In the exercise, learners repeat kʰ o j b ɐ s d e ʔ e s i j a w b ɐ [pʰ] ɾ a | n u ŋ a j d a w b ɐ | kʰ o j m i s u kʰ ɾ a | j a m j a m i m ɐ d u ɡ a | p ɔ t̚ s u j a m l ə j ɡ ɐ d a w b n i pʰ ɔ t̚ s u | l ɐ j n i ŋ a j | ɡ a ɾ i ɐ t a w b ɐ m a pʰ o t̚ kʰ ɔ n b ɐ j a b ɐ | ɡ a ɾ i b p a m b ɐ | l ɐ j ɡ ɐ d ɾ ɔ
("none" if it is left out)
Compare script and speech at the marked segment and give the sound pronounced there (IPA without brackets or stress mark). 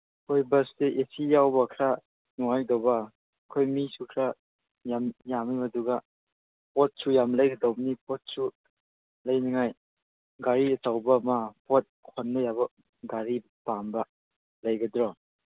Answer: kʰ